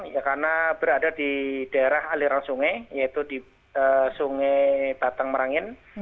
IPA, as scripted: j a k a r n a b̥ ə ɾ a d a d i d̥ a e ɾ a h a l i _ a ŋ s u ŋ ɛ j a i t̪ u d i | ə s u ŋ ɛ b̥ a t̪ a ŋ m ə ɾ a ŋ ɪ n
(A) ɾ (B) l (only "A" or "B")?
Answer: A